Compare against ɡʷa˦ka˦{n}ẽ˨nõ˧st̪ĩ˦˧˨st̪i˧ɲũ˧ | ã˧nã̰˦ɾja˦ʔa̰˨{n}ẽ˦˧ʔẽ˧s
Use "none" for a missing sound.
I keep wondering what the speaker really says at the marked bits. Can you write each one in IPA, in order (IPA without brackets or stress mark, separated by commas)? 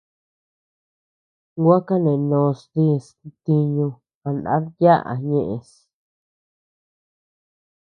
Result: n, ɲ